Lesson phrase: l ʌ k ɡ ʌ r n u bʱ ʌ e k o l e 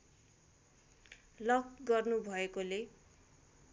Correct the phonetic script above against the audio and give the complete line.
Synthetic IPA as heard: l ʌ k ɡ ʌ r n u bʱ ʌ e k o l e